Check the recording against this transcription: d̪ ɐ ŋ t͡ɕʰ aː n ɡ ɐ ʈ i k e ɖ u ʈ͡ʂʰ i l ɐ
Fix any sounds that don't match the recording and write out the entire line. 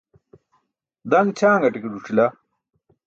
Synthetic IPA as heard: d̪ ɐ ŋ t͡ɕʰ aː ŋ ɡ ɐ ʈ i k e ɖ u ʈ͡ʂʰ i l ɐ